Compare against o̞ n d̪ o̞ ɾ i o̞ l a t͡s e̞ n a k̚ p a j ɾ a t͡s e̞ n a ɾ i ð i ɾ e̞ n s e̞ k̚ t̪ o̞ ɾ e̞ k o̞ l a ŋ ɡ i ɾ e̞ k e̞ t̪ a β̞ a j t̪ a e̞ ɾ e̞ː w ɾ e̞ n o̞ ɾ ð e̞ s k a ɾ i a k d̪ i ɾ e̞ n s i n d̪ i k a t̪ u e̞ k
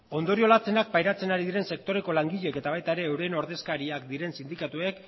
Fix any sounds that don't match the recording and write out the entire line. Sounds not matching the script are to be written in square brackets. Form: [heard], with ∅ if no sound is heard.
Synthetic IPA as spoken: o̞ n d̪ o̞ ɾ i o̞ l a t͡s e̞ n a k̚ p a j ɾ a t͡s e̞ n a ɾ i ð i ɾ e̞ n s e̞ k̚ t̪ o̞ ɾ e̞ k o̞ l a ŋ ɡ i [ʎ] e̞ k e̞ t̪ a β̞ a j t̪ a e̞ ɾ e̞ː w ɾ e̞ n o̞ ɾ ð e̞ s k a ɾ i a k d̪ i ɾ e̞ n s i n d̪ i k a t̪ u e̞ k

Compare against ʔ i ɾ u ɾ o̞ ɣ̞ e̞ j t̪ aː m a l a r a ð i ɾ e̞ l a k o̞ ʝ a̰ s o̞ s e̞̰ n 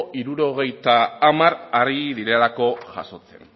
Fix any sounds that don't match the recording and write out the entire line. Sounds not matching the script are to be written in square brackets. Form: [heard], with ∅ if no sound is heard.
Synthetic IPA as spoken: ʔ i ɾ u ɾ o̞ ɣ̞ e̞ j t̪ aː m a [ɾ] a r [i] ð i ɾ e̞ l a k o̞ ʝ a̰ s o̞ [t͡s] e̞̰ n

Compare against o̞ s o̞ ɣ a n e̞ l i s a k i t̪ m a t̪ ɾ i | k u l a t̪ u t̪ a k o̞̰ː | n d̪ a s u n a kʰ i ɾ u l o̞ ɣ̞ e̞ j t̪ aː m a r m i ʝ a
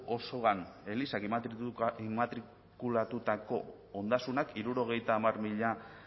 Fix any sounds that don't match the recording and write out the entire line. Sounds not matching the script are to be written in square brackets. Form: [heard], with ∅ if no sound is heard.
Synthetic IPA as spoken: o̞ s o̞ ɣ a n e̞ l i s a k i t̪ m a t̪ ɾ i | k u l a t̪ u t̪ a k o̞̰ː | n d̪ a s u n a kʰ i ɾ u [ɾ] o̞ ɣ̞ e̞ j t̪ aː m a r m i [ʎ] a

